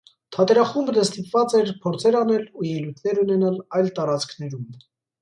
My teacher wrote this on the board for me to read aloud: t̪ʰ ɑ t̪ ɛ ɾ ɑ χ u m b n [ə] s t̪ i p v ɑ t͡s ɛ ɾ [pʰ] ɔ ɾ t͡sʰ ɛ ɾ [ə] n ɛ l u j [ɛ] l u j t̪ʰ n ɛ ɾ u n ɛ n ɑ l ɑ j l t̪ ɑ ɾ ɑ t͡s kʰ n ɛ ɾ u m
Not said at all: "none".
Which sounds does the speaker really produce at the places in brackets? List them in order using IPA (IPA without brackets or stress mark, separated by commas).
ə, pʰ, ɑ, ɛ